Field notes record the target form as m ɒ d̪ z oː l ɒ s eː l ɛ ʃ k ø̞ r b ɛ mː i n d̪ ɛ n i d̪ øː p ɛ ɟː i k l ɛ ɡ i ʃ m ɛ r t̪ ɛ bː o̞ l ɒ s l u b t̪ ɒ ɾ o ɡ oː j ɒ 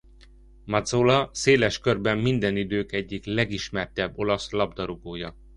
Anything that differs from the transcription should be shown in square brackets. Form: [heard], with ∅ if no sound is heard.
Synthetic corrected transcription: m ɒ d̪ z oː l ɒ s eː l ɛ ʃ k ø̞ r b ɛ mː i n d̪ ɛ n i d̪ øː [k] ɛ ɟː i k l ɛ ɡ i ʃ m ɛ r t̪ ɛ bː o̞ l ɒ s l [ɒ] b [d̪] ɒ ɾ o ɡ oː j ɒ